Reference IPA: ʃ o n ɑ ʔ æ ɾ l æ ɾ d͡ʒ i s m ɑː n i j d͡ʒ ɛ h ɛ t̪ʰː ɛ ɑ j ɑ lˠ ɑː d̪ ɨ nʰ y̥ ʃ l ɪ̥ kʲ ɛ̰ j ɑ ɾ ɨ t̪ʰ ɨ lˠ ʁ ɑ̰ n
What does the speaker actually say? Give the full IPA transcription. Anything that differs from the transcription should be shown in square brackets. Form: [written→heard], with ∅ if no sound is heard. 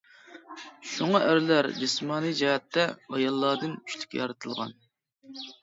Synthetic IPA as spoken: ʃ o [n→ŋ] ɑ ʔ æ ɾ l æ ɾ d͡ʒ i s m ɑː n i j d͡ʒ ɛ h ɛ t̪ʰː ɛ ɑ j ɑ [lˠ→lˠː] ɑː d̪ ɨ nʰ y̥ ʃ l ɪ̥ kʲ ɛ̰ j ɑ ɾ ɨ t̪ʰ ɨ lˠ ʁ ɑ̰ n